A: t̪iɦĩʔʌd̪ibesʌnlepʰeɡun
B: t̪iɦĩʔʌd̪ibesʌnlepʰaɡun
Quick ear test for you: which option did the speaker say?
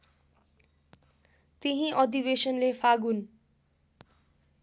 B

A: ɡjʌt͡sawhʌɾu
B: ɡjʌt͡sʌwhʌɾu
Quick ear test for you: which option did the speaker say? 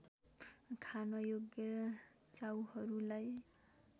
A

